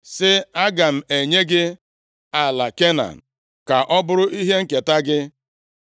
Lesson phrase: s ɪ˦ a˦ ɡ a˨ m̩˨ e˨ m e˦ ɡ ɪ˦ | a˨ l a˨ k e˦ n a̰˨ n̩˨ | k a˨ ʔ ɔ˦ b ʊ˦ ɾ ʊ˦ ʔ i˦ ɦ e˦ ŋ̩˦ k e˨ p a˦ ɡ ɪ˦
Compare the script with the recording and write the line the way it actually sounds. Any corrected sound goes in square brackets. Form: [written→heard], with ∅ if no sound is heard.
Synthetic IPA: s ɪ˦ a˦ ɡ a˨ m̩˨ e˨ [m→ɲ] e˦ ɡ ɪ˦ | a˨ l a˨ k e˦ n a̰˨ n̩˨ | k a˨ ʔ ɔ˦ b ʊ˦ ɾ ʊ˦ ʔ i˦ ɦ e˦ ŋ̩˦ k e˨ [p→t] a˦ ɡ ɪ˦